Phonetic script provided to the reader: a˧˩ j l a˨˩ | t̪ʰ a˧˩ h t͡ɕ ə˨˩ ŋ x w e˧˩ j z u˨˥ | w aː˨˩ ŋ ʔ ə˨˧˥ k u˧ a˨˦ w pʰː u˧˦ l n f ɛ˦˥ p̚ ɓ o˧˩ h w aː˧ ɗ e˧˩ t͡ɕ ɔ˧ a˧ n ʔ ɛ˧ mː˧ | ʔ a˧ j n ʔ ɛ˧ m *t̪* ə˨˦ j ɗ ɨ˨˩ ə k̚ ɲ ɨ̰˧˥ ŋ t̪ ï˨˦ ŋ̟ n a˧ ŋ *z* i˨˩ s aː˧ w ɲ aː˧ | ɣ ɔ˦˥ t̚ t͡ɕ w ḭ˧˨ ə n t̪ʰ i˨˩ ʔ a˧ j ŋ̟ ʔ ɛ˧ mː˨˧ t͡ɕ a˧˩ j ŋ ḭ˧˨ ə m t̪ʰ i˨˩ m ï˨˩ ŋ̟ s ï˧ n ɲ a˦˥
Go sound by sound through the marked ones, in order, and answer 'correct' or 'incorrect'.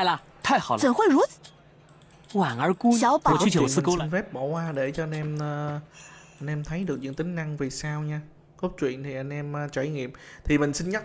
incorrect: t̪ʰ, incorrect: v

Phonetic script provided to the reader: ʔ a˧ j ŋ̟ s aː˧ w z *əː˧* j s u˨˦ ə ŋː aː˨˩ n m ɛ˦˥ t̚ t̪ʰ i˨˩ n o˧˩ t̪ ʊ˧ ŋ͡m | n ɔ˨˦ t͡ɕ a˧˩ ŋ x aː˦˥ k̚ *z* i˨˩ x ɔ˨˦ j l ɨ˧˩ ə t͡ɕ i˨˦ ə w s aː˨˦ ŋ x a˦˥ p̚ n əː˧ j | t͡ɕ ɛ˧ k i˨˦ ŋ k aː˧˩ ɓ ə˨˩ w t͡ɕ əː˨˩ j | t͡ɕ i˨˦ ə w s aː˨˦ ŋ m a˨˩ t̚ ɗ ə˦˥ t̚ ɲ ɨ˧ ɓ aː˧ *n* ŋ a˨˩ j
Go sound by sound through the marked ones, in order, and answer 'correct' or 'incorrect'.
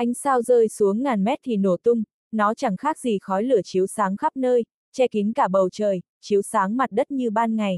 correct, correct, correct

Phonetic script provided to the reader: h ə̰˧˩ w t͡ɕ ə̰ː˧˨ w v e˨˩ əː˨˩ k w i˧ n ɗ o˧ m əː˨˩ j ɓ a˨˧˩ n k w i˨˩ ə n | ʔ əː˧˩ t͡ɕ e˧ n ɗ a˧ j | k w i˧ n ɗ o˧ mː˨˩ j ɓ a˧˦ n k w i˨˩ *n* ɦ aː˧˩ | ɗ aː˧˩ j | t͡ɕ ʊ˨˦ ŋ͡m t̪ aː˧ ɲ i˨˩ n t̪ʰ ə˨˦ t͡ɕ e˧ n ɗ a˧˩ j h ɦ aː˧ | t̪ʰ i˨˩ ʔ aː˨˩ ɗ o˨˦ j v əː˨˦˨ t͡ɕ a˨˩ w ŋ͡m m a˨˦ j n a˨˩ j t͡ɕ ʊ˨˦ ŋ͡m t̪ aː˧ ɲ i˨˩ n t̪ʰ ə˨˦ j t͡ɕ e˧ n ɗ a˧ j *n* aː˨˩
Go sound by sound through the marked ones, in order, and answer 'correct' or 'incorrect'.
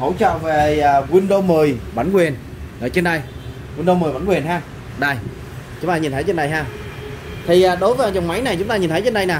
correct, correct

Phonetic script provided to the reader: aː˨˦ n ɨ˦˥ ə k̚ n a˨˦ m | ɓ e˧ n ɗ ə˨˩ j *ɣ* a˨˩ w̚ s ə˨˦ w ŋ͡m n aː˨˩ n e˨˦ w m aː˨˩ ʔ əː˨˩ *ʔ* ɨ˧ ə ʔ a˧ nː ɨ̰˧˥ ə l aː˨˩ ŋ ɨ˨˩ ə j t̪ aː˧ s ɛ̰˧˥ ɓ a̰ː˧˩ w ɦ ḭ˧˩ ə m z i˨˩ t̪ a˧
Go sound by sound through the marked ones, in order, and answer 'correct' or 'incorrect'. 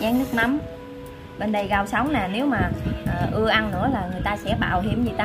correct, correct

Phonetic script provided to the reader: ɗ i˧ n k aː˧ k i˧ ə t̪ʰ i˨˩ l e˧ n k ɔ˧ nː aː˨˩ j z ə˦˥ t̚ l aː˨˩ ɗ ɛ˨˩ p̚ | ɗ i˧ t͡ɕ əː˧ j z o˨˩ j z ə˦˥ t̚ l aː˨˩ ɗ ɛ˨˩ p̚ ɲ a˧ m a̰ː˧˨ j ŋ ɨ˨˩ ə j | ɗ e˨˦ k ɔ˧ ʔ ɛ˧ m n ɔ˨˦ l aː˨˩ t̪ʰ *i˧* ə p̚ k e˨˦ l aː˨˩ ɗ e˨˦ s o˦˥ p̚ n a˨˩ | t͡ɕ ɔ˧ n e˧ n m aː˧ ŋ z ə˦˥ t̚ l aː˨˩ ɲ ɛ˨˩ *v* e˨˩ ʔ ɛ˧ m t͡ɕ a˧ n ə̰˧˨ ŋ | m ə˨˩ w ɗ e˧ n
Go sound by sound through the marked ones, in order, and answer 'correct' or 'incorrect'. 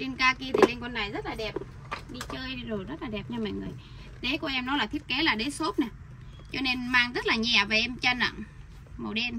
incorrect: i˦˥, correct

